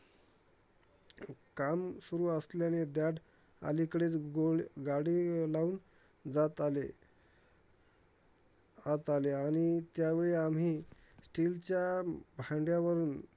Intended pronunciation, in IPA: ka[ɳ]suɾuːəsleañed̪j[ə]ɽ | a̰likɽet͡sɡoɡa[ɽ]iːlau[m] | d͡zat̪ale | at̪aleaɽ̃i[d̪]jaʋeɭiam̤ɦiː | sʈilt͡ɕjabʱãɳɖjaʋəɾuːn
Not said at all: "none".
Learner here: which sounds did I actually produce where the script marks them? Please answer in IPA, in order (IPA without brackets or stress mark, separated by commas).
m, a, ɽ, n, t̪